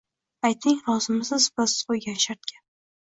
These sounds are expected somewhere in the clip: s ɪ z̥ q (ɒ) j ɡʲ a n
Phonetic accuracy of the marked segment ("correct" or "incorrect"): incorrect